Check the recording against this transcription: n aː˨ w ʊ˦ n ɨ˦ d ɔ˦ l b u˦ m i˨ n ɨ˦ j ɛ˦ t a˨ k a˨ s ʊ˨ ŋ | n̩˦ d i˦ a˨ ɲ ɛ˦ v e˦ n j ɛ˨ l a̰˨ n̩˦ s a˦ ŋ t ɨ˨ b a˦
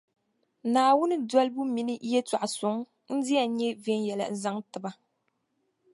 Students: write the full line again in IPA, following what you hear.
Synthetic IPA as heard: n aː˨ w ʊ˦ n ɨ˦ d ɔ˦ l b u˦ m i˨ n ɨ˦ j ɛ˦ t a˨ ʔ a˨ s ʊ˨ ŋ | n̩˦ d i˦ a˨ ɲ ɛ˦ v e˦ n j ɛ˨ l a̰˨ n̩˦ z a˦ ŋ t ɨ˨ b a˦